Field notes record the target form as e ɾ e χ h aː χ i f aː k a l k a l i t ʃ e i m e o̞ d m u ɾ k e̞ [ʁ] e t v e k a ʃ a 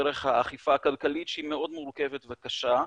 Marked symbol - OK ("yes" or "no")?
no